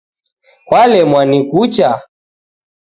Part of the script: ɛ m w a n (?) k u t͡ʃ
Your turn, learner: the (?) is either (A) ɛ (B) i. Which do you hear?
B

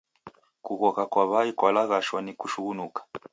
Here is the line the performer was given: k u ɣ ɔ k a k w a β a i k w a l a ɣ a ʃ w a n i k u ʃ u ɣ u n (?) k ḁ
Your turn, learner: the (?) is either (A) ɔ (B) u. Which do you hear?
B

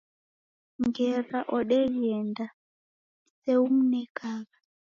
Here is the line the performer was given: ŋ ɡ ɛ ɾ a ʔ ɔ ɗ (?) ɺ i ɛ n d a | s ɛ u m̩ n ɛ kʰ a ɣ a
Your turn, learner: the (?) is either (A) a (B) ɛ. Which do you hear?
B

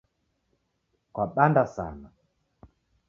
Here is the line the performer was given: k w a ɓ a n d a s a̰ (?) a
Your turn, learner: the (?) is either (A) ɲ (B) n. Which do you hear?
B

